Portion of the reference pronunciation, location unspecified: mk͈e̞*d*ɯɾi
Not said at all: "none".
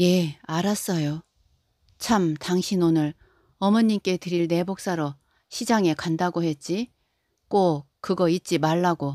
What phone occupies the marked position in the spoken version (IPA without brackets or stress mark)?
t